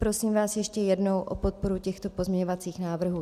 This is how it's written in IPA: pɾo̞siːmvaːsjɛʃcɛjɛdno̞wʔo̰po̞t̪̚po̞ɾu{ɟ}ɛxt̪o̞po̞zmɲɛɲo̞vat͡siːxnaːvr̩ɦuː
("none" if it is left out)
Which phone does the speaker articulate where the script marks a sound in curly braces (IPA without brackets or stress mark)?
c